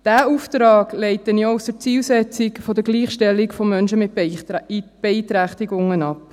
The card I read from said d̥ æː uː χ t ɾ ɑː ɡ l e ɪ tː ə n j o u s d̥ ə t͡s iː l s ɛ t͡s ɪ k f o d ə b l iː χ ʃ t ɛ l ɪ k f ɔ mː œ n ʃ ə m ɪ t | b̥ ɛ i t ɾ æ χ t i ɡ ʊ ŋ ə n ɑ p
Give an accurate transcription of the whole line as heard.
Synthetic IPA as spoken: d̥ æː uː f t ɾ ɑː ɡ l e ɪ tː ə n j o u s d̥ ə t͡s iː l s ɛ t͡s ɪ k f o d ə ɡ l iː χ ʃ t ɛ l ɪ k f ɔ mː œ n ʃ ə m ɪ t | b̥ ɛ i t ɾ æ χ t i ɡ ʊ ŋ ə n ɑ p